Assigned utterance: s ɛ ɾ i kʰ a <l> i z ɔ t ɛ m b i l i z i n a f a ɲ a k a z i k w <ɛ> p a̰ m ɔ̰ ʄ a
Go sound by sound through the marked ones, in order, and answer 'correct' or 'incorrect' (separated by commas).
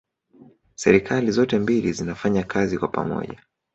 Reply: correct, incorrect